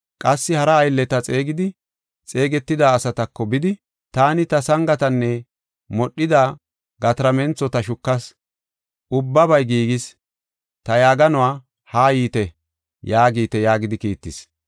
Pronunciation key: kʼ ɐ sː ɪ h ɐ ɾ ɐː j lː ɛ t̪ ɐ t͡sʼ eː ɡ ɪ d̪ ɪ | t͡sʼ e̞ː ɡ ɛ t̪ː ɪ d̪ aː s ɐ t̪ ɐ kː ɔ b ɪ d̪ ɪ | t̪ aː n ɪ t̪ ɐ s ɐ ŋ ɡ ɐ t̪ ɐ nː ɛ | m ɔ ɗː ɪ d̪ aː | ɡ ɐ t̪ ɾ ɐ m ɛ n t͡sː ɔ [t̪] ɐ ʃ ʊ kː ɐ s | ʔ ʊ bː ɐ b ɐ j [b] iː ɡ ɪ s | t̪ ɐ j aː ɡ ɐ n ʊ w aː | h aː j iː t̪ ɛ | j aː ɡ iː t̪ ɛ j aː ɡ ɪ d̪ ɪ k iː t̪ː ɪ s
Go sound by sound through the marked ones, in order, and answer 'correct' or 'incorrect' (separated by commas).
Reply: correct, incorrect